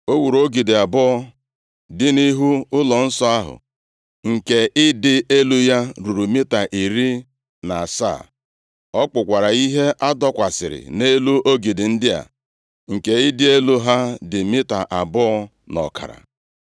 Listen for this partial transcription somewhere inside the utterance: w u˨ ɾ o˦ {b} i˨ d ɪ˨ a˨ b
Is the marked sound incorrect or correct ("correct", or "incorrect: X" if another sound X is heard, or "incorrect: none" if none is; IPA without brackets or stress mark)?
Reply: incorrect: ɡ